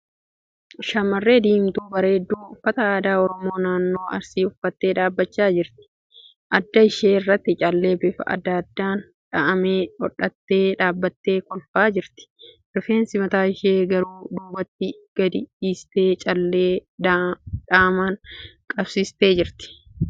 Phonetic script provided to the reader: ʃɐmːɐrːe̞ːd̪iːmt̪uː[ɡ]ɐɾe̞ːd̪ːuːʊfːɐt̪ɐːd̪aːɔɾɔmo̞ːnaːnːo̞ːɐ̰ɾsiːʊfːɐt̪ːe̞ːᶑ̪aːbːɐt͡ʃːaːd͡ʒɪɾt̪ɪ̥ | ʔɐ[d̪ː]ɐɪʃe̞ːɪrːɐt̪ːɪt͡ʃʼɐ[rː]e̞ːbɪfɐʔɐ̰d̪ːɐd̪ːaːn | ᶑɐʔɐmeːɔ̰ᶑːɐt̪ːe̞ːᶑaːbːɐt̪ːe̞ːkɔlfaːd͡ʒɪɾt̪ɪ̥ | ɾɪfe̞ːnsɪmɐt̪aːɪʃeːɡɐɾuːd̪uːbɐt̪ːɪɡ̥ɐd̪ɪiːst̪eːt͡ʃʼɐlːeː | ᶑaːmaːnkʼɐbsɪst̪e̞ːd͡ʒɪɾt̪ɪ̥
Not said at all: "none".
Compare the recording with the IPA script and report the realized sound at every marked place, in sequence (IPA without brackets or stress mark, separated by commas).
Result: b, d̪ː, lː